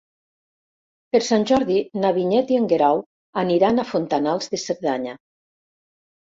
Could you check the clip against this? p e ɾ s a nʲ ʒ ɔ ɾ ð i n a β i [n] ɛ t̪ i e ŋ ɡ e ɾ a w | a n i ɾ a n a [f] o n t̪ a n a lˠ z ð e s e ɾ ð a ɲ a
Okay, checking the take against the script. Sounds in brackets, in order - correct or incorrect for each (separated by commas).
incorrect, correct